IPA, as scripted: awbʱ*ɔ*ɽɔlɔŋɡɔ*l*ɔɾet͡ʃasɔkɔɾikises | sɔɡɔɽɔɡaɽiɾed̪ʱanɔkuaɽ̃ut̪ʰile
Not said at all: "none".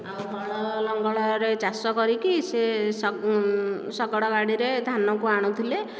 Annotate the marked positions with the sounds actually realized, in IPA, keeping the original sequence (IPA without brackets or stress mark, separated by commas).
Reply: ɔ, ɭ